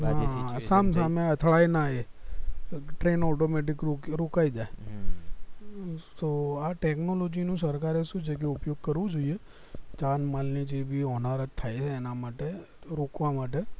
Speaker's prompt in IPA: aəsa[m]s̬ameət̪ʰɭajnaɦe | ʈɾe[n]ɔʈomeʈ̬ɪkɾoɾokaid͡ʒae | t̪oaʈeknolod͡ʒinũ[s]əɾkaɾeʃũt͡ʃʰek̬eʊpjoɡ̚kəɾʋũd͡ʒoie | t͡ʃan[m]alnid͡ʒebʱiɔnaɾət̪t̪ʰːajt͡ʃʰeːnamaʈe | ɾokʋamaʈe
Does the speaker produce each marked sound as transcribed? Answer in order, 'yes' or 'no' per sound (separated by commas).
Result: yes, yes, yes, yes